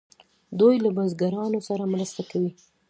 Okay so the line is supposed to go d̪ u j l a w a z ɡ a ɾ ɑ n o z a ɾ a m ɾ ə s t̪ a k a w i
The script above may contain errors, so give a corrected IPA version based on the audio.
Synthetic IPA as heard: d̪ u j l a b a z ɡ a ɾ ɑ n o s a ɾ a m ɾ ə s t̪ a k a w i